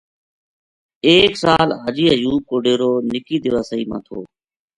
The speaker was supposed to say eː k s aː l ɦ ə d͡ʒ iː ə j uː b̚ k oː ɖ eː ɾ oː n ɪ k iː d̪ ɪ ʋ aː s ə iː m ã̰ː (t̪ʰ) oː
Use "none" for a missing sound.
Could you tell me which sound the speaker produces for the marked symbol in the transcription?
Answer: t̪ʰ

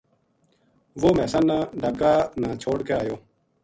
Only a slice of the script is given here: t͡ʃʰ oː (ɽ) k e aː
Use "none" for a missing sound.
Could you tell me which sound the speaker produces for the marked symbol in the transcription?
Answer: ɽ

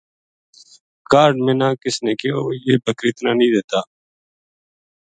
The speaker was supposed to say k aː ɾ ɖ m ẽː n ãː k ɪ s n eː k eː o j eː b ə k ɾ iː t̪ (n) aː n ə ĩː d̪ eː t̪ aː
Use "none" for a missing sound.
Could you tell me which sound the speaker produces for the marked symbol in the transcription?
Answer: n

